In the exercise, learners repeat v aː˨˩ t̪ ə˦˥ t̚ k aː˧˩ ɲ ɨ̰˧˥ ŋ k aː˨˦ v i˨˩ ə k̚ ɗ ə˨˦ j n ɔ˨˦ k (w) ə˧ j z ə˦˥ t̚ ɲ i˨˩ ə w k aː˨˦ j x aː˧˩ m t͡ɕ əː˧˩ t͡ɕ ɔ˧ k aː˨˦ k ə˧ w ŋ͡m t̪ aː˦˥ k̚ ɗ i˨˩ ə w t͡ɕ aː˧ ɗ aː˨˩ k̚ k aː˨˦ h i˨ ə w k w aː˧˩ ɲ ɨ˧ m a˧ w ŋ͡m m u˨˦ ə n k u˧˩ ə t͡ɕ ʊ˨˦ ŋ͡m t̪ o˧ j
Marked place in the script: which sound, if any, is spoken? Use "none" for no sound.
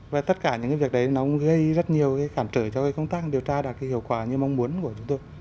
ɣ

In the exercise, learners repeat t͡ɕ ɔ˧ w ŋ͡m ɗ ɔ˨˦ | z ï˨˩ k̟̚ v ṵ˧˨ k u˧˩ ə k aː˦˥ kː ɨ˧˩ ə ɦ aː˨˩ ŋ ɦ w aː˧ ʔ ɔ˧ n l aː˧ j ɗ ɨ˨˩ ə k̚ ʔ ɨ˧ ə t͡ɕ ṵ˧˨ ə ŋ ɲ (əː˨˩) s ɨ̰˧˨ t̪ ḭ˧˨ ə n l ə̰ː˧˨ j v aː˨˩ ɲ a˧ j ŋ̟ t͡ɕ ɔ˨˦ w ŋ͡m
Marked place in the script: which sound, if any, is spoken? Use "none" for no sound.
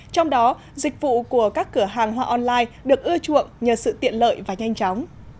əː˨˩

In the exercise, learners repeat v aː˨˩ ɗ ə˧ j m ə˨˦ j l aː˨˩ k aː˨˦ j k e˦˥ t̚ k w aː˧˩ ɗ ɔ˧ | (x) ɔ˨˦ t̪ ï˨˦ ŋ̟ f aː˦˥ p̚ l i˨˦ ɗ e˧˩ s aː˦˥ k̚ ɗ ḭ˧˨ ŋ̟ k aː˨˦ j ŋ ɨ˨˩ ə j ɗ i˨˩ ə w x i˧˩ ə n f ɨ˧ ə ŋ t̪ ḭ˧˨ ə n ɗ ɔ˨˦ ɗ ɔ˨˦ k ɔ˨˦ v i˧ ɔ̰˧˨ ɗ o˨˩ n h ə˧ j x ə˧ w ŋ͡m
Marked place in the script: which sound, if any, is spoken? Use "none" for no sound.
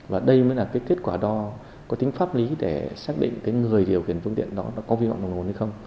k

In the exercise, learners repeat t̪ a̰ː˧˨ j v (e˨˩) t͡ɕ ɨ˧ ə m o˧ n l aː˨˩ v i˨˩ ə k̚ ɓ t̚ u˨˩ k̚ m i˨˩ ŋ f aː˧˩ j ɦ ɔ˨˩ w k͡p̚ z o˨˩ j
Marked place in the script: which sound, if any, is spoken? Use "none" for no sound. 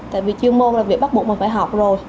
i˨˩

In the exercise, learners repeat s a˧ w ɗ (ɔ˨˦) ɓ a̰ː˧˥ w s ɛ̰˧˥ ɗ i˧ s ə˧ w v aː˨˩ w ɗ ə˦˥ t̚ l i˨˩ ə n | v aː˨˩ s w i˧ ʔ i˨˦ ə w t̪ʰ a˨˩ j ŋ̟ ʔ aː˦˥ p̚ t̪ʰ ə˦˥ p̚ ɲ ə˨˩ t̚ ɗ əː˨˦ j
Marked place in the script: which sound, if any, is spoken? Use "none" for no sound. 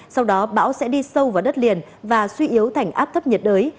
ɔ˨˦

